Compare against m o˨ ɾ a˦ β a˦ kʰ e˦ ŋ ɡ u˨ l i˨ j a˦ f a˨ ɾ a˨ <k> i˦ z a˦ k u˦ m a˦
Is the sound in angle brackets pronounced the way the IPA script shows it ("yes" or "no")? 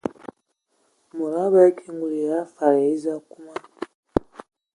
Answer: no